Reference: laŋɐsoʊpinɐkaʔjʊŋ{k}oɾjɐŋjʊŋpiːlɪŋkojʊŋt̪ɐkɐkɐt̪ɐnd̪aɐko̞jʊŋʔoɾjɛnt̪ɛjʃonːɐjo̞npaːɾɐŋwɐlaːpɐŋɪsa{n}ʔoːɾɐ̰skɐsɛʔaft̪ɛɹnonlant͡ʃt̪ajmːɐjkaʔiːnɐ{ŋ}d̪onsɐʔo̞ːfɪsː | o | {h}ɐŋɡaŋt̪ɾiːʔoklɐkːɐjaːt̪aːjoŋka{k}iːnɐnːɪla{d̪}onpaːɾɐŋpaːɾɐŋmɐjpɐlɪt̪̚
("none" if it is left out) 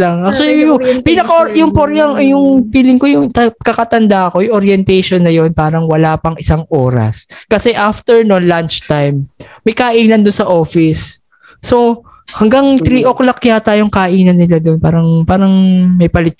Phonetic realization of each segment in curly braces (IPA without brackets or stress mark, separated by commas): p, ŋ, n, h, ʔ, d̪